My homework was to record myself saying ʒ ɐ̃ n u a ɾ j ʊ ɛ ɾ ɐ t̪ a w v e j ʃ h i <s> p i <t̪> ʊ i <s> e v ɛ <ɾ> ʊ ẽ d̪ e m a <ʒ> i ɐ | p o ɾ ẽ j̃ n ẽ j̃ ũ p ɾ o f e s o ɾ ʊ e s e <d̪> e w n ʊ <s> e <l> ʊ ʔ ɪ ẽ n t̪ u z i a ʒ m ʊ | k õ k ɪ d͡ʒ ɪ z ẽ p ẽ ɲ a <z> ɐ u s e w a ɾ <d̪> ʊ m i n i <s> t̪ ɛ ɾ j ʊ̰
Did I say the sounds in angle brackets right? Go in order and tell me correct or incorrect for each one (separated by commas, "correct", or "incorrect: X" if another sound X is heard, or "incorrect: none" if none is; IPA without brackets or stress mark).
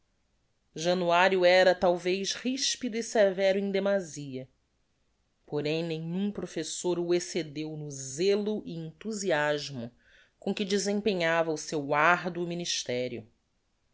incorrect: ʃ, incorrect: d̪, correct, correct, incorrect: z, correct, incorrect: z, correct, incorrect: v, correct, incorrect: ʃ